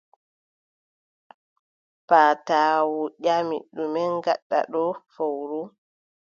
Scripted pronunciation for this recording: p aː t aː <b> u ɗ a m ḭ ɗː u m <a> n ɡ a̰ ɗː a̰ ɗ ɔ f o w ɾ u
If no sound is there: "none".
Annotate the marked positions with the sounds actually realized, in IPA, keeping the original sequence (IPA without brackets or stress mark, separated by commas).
w, ɛ